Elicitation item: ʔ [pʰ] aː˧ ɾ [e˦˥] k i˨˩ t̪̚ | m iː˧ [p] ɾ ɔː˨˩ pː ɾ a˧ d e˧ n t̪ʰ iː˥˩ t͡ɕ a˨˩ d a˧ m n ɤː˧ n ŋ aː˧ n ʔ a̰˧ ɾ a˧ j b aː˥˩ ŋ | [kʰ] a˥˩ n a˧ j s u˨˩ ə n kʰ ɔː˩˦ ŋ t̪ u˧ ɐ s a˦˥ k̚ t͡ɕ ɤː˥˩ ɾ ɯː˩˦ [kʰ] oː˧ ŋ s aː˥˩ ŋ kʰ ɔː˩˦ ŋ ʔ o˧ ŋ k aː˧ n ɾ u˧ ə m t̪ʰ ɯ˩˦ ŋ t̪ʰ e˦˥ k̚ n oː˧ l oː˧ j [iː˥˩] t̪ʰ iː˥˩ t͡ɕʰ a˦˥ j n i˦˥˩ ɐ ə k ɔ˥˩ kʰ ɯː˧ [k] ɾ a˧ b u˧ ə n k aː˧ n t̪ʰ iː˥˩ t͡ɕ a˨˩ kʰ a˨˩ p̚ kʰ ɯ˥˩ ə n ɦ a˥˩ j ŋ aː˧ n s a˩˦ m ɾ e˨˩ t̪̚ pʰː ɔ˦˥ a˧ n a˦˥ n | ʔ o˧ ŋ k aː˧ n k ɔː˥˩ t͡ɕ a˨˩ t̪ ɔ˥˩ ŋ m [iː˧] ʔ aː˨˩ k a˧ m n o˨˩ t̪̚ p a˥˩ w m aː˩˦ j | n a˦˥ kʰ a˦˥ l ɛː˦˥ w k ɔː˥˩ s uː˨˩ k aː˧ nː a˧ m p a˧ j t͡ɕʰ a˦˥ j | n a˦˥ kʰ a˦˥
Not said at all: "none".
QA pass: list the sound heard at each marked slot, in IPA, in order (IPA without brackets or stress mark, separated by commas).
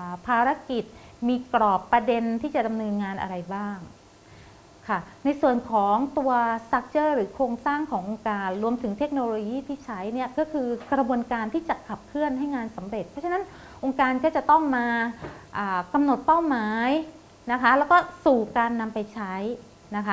pʰ, a˦˥, k, kʰ, kʰ, iː˥˩, k, aː˧